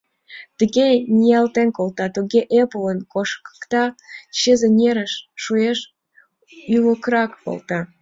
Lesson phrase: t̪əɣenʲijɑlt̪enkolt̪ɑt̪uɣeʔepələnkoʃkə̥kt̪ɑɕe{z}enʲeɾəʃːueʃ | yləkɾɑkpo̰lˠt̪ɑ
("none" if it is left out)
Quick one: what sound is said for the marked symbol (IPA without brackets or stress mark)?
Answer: z